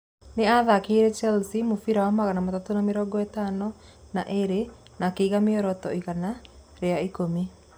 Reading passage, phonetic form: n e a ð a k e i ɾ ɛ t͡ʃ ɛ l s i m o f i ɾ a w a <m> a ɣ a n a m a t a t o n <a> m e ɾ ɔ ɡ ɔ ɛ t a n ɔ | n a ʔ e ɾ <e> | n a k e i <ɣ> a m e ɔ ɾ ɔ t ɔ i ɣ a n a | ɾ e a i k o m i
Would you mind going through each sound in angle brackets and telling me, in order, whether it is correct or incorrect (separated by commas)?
correct, correct, correct, correct